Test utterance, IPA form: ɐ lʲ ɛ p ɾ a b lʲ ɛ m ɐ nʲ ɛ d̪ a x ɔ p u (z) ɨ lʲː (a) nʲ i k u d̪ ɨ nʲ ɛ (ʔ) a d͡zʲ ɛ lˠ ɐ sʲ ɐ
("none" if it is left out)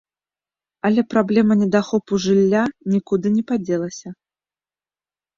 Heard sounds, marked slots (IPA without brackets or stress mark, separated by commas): ʐ, a, p